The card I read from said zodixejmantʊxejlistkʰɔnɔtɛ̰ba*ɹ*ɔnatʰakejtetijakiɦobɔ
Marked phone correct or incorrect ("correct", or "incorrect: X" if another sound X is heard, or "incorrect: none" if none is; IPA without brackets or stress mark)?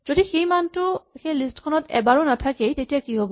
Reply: correct